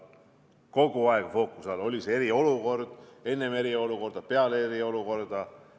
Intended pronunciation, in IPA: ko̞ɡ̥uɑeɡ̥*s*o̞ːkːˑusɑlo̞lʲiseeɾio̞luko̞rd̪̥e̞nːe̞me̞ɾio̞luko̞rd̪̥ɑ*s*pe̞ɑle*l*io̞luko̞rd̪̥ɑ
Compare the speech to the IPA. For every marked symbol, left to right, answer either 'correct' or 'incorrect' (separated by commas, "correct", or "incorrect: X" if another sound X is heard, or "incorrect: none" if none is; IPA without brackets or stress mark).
incorrect: f, incorrect: none, incorrect: ɾ